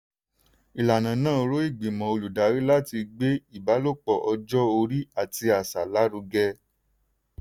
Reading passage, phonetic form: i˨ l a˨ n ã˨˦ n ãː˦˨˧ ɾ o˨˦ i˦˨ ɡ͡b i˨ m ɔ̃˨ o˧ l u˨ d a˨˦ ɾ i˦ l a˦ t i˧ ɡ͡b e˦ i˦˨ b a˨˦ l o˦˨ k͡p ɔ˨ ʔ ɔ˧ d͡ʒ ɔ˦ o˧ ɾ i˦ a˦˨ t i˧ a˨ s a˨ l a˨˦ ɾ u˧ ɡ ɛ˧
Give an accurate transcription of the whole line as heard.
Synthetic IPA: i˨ l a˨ n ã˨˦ n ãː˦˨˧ ɾ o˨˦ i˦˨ ɡ͡b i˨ m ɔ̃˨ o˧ l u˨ d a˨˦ ɾ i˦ l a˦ t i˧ ɡ͡b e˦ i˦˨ b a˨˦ l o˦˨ k͡p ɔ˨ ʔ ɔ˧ d͡ʒ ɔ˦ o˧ ɾ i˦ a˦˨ t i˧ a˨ s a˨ l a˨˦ ɾ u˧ ɡ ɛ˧